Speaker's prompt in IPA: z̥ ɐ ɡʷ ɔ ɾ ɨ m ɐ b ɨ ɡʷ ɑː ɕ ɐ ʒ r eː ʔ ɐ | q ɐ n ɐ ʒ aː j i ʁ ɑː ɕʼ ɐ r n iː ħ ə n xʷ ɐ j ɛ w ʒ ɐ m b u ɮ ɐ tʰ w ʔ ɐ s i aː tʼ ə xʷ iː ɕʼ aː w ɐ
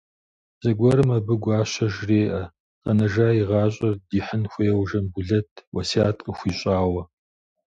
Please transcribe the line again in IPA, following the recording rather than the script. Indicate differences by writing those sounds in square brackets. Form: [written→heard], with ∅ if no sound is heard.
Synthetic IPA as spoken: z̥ ɐ ɡʷ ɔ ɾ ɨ m ɐ b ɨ ɡʷ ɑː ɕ ɐ ʒ r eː ʔ ɐ | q ɐ n ɐ ʒ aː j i ʁ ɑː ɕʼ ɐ r [n→d] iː ħ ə n xʷ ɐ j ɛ w ʒ ɐ m b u ɮ ɐ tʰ w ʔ ɐ s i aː tʼ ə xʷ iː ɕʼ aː w ɐ